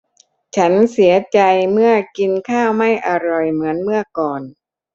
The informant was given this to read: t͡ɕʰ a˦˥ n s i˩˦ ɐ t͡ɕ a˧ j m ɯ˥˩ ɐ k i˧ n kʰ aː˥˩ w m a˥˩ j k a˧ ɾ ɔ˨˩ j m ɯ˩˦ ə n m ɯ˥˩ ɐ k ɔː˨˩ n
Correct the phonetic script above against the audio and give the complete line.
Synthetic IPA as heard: t͡ɕʰ a˦˥ n s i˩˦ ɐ t͡ɕ a˧ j m ɯ˥˩ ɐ k i˧ n kʰ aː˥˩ w m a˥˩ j ʔ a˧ ɾ ɔ˨˩ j m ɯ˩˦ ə n m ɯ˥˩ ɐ k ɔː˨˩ n